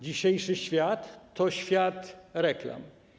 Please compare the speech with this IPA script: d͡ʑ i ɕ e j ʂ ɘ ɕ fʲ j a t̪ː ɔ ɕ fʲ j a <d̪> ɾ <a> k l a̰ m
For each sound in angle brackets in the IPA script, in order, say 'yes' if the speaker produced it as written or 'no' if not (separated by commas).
no, no